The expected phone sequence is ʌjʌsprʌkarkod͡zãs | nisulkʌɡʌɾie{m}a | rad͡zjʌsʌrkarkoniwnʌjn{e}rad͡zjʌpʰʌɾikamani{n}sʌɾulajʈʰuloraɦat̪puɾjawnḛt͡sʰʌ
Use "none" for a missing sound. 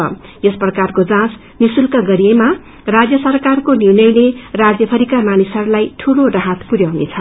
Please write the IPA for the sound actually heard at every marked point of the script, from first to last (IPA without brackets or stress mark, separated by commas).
m, e, none